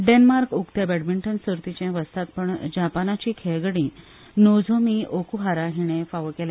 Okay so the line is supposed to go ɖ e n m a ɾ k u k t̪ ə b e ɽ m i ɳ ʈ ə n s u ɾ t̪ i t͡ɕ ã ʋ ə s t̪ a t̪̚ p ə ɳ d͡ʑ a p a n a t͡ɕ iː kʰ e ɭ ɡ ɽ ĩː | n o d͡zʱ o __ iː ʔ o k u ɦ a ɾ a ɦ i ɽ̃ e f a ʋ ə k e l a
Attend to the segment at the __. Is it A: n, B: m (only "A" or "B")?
B